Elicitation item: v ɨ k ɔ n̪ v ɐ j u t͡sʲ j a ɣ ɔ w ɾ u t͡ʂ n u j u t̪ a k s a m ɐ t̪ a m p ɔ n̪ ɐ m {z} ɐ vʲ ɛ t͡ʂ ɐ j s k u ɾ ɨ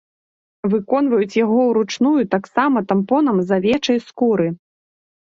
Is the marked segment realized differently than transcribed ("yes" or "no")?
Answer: no